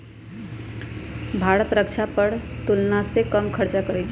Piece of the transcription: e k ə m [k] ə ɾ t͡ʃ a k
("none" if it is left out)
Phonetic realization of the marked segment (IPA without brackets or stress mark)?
kʰ